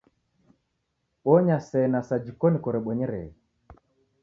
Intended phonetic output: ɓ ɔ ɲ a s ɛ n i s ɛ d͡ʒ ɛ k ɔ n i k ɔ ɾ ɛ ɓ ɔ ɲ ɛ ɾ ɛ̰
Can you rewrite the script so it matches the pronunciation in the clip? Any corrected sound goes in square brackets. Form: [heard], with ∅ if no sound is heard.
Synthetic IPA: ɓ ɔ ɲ a s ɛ n [a] s [a] d͡ʒ [i] k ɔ n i k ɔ ɾ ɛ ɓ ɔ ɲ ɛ ɾ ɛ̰

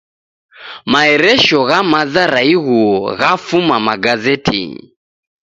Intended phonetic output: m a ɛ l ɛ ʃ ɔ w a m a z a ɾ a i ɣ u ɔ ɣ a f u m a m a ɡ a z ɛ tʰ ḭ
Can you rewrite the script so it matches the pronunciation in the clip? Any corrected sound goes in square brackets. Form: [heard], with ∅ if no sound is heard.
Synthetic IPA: m a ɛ [ɾ] ɛ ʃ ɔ [ɣ] a m a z a ɾ a i ɣ u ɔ ɣ a f u m a m a ɡ a z ɛ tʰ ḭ

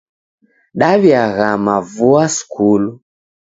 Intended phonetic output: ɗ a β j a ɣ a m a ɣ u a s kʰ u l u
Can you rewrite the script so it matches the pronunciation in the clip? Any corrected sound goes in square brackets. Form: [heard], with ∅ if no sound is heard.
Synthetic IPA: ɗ a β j a ɣ a m a [v] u a s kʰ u l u

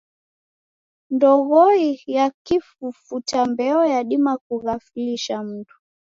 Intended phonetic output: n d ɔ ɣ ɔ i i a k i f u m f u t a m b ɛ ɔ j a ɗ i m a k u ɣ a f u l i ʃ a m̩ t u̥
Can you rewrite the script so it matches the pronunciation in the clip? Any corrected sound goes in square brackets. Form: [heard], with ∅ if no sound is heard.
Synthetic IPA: n d ɔ ɣ ɔ i [j] a k i f u [∅] f u t a m b ɛ ɔ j a ɗ i m a k u ɣ a f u l i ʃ a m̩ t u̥

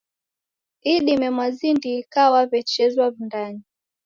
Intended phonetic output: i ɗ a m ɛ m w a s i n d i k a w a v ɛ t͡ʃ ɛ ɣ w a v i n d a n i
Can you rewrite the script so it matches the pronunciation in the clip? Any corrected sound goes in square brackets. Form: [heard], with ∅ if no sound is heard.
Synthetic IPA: i ɗ [i] m ɛ m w a [z] i n d i k a w a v ɛ t͡ʃ ɛ [z] w a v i n d a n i

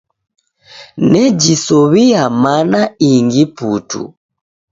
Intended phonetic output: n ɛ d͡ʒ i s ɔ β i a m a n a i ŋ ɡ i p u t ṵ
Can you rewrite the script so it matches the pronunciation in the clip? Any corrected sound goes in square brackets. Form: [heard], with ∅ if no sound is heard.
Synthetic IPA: n ɛ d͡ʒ i s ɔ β i a m a n a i ŋ ɡ i p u t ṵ

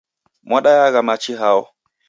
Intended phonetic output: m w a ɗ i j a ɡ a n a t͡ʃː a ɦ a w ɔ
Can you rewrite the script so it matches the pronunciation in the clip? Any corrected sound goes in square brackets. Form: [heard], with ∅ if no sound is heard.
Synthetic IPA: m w a ɗ [a] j a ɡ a [m] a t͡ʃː [i] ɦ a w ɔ

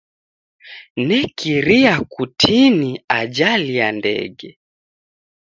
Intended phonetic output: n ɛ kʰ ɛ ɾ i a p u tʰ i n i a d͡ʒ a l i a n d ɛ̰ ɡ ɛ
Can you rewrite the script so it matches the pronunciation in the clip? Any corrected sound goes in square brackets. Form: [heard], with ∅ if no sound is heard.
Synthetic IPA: n ɛ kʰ [i] ɾ i a [k] u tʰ i n i a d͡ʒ a l i a n d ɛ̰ ɡ ɛ

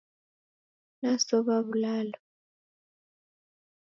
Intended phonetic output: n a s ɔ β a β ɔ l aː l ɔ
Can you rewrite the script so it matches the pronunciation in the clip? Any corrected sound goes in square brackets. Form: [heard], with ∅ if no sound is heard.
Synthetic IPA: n a s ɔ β a β [u] l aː l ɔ

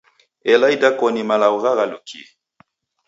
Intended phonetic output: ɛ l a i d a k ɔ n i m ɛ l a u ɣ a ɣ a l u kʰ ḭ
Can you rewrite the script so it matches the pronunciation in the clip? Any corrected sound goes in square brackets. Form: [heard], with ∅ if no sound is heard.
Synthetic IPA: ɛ l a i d a k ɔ n i m [a] l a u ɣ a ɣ a l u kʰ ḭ

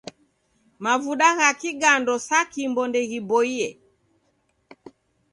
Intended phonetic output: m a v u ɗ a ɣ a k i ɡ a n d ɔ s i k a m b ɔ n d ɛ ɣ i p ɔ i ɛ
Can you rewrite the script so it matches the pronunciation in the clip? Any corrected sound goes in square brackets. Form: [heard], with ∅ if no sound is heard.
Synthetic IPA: m a v u ɗ a ɣ a k i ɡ a n d ɔ s [a] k [i] m b ɔ n d ɛ ɣ i [b] ɔ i ɛ

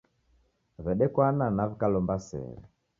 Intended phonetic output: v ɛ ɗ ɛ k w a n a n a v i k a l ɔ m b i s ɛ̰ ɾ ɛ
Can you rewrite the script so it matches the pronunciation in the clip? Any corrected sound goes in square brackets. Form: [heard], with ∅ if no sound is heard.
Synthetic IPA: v ɛ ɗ ɛ k w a n a n a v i k a l ɔ m b [a] s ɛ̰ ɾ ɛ

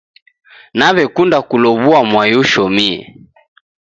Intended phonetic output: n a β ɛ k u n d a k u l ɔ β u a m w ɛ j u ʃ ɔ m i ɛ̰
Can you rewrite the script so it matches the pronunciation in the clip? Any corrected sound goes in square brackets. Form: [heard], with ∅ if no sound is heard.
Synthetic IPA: n a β ɛ k u n d a k u l ɔ β u a m w [a] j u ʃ ɔ m i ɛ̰

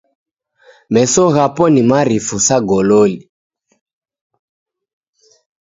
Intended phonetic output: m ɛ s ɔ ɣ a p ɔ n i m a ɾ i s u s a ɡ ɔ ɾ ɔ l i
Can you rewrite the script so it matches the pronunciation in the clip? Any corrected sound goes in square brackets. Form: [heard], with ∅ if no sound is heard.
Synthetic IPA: m ɛ s ɔ ɣ a p ɔ n i m a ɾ i [f] u s a ɡ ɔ [l] ɔ l i

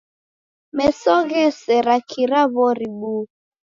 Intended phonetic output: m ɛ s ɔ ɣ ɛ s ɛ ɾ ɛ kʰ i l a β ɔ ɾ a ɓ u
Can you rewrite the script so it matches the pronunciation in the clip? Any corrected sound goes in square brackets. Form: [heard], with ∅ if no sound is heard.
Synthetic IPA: m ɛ s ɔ ɣ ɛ s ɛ ɾ [a] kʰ i [ɾ] a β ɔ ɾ [i] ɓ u

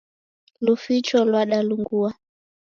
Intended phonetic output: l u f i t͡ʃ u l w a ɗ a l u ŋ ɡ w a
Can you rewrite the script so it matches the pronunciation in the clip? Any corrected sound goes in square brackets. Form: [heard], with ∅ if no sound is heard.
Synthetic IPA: l u f i t͡ʃ [ɔ] l w a ɗ a l u ŋ ɡ [u] a

